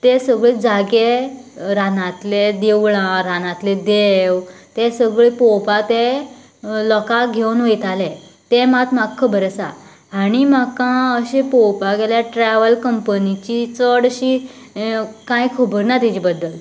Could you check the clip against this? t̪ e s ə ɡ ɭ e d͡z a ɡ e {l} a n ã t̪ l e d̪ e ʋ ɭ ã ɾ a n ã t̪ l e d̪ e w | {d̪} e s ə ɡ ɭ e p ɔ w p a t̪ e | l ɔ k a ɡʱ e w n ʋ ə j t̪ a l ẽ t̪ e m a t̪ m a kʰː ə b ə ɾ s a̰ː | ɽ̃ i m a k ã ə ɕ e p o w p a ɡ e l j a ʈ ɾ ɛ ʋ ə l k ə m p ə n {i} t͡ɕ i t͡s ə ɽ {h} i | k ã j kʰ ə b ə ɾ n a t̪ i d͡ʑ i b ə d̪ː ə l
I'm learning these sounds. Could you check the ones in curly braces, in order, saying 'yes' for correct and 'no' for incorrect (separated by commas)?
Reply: no, no, yes, no